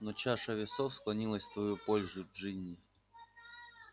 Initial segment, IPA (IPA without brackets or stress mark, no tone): n